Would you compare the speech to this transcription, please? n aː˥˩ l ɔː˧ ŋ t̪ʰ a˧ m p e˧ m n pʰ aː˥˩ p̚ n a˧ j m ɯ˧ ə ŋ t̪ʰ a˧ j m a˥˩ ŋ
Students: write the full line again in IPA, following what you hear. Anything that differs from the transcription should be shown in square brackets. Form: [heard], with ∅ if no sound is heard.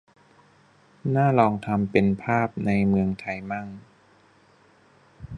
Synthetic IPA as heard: n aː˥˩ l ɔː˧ ŋ t̪ʰ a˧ m p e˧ [∅] n pʰ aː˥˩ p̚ n a˧ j m ɯ˧ ə ŋ t̪ʰ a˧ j m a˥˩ ŋ